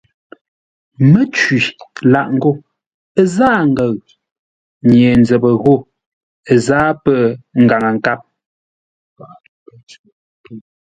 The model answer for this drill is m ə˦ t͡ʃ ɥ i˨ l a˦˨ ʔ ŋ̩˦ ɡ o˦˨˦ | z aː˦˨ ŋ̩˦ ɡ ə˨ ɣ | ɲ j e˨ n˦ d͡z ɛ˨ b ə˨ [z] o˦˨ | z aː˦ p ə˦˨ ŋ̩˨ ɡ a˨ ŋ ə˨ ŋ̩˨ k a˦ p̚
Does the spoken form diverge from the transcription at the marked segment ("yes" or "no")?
yes